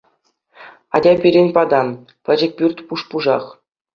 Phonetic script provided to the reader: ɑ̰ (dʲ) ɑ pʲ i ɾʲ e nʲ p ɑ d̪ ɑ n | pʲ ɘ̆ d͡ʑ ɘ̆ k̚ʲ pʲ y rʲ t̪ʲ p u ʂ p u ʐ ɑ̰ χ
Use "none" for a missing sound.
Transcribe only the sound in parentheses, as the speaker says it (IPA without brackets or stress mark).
dʲ